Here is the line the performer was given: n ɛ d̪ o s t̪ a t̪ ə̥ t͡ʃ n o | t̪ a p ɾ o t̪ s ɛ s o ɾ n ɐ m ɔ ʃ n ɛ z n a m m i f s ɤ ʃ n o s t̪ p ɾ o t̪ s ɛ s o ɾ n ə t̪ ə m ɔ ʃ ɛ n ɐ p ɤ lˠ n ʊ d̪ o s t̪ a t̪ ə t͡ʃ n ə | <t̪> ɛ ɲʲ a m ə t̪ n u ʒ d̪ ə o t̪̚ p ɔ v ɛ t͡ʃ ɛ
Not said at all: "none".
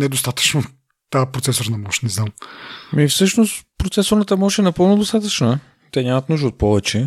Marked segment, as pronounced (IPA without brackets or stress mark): t̪